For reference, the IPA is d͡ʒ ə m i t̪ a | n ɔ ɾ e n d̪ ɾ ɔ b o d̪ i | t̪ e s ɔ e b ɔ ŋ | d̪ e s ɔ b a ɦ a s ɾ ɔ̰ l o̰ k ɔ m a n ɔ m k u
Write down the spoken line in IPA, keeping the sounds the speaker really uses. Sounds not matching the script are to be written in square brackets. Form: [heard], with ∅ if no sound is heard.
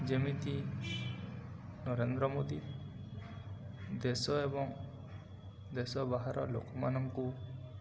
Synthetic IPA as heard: d͡ʒ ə m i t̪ [i] | n ɔ ɾ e n d̪ ɾ ɔ [m] o d̪ i | [d̪] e s ɔ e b ɔ ŋ | d̪ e s ɔ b a ɦ a [∅] ɾ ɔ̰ l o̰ k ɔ m a n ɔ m k u